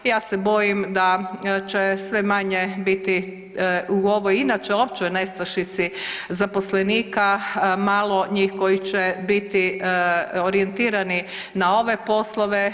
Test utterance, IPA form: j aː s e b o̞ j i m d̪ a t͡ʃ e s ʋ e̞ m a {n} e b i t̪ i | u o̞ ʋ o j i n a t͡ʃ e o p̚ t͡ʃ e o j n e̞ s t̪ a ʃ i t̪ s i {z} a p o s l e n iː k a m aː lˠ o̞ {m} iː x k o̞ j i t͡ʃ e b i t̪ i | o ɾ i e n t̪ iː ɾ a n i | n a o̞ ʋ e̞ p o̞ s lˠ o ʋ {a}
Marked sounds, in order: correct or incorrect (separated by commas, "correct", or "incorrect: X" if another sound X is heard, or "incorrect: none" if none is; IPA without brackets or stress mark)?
incorrect: ɲ, correct, incorrect: ɲ, incorrect: e